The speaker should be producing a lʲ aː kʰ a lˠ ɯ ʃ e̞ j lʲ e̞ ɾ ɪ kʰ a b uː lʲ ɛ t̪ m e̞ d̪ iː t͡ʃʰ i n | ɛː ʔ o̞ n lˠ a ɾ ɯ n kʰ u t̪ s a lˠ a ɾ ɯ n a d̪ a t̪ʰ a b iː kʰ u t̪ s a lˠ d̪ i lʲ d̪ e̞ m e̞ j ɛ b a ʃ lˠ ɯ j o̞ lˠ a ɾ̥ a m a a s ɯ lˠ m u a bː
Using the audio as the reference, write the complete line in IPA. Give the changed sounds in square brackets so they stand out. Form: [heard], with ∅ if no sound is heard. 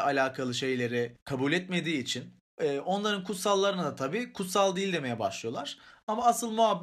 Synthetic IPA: a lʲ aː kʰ a lˠ ɯ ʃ e̞ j lʲ e̞ ɾ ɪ kʰ a b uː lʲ ɛ t̪ m e̞ d̪ iː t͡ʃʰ i n | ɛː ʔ o̞ n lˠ a ɾ ɯ n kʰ u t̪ s a [lˠː] a ɾ ɯ n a d̪ a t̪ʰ a b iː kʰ u t̪ s a lˠ d̪ i lʲ d̪ e̞ m e̞ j ɛ b a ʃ lˠ ɯ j o̞ lˠ a ɾ̥ a m a a s ɯ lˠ m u a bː